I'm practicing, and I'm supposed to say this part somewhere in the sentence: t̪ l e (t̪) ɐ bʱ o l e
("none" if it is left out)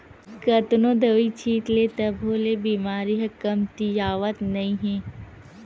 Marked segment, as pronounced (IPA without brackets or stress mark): t̪